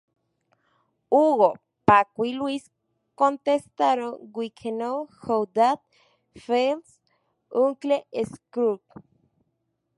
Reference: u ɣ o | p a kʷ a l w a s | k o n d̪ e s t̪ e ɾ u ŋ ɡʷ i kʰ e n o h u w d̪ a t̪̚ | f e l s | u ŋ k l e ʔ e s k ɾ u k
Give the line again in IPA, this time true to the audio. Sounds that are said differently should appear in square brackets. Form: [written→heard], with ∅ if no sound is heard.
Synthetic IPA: u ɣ o | p a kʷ [a→i] l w [a→i] s | k o n [d̪→t̪] e s t̪ [e→a] ɾ [u→o] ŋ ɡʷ i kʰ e n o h [u→o] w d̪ a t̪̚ | f e l s | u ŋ k l e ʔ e s k ɾ u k